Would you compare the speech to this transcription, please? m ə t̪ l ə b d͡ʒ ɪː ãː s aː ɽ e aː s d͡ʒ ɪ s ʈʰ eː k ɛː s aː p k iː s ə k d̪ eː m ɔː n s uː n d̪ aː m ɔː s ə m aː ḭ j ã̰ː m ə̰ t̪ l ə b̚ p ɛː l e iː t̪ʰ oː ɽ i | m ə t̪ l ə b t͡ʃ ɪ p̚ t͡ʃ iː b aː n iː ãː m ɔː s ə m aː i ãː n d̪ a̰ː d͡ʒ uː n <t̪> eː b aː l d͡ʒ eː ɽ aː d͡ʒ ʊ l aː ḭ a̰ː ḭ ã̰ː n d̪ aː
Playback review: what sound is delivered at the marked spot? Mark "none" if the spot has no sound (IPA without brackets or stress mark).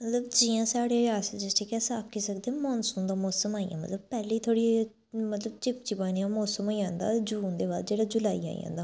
d̪